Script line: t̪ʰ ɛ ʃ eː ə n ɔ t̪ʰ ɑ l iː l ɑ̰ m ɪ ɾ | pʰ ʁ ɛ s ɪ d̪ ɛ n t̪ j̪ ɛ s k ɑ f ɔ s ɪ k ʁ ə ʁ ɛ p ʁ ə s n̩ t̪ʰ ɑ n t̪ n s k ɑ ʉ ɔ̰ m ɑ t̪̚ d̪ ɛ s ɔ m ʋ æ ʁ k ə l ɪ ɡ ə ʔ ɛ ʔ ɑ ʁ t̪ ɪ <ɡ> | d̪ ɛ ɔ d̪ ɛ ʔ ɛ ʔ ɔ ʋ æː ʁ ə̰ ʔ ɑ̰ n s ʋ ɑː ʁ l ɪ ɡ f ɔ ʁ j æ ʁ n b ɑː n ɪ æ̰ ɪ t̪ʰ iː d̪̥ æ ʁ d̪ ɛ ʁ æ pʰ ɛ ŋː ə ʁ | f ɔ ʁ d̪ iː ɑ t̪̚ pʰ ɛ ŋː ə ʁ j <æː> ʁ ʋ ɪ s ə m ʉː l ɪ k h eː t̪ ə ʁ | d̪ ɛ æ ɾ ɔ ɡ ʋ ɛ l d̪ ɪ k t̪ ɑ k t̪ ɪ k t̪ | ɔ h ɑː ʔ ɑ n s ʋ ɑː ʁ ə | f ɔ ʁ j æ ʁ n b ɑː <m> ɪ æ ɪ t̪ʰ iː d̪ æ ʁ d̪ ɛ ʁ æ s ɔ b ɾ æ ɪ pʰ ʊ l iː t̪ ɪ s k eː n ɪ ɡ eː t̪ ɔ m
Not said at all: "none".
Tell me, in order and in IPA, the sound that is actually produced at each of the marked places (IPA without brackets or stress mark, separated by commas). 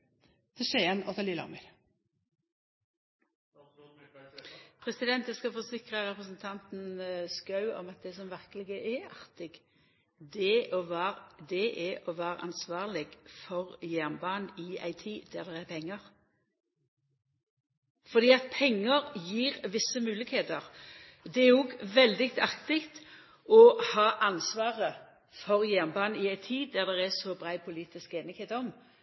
ɡ, iː, n